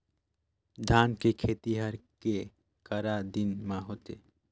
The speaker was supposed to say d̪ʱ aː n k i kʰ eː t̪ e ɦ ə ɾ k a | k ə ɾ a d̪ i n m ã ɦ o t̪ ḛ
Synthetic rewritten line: d̪ʱ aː n k e kʰ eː t̪ i ɦ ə ɾ k e | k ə ɾ a d̪ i n m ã ɦ o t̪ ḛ